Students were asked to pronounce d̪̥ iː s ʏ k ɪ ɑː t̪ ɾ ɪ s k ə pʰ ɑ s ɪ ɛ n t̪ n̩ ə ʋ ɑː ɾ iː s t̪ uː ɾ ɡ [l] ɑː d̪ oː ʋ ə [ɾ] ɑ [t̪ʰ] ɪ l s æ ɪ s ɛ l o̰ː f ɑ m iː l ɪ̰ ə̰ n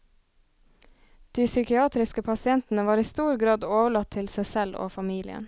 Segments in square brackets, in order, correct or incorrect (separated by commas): incorrect, incorrect, correct